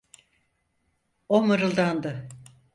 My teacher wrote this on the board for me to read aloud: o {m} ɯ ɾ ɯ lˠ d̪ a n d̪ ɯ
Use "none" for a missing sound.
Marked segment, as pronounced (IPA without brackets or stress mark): m